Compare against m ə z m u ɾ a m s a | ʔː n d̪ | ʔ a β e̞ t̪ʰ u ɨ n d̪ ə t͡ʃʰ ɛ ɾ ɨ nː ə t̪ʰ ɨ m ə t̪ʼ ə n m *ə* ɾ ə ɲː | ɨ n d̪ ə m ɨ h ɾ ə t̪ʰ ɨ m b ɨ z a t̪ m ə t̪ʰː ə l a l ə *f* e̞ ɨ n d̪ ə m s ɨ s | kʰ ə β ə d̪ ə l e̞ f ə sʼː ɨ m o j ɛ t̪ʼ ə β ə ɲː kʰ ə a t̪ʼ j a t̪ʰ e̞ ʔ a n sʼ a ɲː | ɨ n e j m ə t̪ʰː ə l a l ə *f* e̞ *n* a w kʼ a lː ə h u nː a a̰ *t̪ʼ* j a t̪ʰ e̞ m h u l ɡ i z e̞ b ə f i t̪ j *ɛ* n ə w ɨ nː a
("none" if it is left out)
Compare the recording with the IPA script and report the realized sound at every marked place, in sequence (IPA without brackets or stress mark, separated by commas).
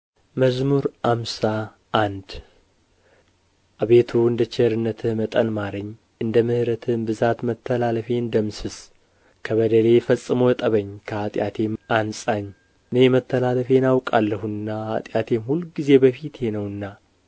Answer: a, f, f, n, t̪ʼ, e